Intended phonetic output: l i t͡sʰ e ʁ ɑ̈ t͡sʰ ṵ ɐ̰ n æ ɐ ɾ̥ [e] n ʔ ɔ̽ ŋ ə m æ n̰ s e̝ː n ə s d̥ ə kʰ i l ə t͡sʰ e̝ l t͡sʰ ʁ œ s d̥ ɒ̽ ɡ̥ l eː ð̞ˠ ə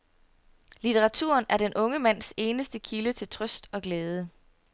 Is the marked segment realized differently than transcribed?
no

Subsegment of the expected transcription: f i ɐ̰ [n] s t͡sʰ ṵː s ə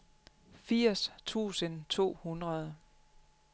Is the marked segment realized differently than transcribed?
yes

